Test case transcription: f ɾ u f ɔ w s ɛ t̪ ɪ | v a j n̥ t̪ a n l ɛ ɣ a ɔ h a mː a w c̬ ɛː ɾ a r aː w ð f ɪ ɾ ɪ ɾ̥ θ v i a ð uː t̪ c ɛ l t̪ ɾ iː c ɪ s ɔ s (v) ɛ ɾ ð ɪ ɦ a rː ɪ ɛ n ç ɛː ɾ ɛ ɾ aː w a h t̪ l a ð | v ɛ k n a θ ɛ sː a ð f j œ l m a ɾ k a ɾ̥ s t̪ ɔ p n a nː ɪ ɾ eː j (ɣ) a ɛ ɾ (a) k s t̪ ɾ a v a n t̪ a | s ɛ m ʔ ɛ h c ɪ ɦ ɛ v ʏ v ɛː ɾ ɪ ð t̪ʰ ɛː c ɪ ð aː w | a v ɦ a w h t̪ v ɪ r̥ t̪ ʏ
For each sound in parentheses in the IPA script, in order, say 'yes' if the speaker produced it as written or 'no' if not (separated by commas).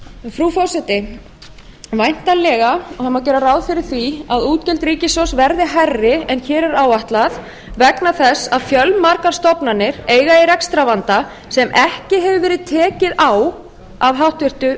yes, yes, no